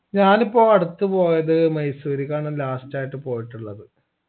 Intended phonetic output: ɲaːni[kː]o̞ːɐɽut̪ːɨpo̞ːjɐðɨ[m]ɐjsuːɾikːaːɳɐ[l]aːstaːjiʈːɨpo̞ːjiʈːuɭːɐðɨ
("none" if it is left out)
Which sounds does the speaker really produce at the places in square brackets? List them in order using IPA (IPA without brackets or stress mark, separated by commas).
pː, m, l